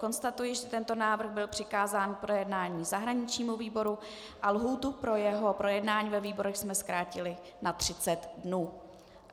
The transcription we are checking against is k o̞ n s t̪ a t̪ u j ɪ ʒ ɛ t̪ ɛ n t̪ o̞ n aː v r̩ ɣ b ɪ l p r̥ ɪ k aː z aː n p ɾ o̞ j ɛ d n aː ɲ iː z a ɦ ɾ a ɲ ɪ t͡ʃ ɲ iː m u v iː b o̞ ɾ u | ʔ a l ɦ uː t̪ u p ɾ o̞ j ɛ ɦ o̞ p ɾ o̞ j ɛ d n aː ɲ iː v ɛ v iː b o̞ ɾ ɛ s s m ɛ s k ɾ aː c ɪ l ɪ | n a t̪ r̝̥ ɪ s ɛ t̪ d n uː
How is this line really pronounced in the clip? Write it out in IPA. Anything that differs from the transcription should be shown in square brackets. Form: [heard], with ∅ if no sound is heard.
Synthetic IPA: k o̞ n s t̪ a t̪ u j ɪ ʒ ɛ t̪ ɛ n t̪ o̞ n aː v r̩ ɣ b ɪ l p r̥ ɪ k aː z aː n p ɾ o̞ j ɛ d n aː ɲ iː z a ɦ ɾ a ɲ ɪ t͡ʃ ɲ iː m u v iː b o̞ ɾ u | ʔ a l ɦ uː t̪ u p ɾ o̞ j ɛ ɦ o̞ p ɾ o̞ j ɛ d n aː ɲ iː v ɛ v iː b o̞ ɾ ɛ [x] s m ɛ s k ɾ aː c ɪ l ɪ | n a t̪ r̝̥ ɪ [t͡s] ɛ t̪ d n uː